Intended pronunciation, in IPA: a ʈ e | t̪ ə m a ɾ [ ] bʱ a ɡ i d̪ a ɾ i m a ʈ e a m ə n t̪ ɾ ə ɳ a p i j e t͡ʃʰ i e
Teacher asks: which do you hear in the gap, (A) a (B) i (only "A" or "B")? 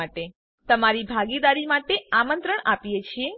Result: B